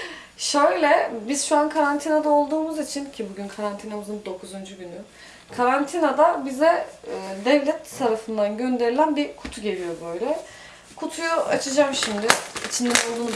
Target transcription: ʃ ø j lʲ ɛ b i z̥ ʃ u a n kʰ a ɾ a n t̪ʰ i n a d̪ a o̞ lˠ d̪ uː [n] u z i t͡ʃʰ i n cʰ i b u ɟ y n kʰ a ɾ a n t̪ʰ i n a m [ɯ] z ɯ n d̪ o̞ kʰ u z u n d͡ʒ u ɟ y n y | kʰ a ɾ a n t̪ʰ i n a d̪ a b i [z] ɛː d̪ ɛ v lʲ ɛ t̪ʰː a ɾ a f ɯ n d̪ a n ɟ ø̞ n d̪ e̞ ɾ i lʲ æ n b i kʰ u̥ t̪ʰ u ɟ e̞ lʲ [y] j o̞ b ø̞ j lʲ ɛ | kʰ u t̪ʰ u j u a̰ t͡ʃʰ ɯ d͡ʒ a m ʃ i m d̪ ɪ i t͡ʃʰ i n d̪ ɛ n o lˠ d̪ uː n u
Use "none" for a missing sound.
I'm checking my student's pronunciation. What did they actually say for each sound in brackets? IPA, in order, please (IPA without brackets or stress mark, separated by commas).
m, ɯ, z, i